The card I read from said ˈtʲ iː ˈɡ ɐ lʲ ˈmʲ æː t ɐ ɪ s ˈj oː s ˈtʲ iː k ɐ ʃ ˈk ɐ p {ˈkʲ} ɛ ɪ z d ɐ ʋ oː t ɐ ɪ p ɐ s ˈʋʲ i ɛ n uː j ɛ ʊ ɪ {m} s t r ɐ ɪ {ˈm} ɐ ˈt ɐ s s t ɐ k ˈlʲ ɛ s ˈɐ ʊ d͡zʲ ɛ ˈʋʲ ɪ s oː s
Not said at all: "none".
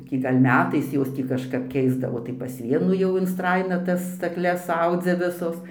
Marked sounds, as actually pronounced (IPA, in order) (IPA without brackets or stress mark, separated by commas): kʲ, n, n